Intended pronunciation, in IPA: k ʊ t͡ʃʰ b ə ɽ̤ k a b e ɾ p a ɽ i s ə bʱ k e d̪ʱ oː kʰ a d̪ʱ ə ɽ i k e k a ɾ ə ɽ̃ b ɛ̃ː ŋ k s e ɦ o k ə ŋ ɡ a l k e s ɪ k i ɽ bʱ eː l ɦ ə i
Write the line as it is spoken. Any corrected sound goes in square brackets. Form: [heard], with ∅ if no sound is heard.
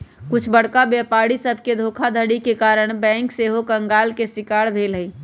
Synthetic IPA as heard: k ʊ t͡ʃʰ b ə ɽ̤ k a b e [∅] p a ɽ i s ə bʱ k e d̪ʱ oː kʰ a d̪ʱ ə ɽ i k e k a ɾ ə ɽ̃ b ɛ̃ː ŋ k s e ɦ o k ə ŋ ɡ a l k e s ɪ k [a] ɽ bʱ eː l ɦ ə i